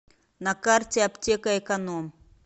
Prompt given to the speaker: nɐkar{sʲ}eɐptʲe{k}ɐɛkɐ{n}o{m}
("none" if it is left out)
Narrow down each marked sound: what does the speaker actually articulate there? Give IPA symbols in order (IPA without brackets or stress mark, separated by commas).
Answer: tʲ, k, n, m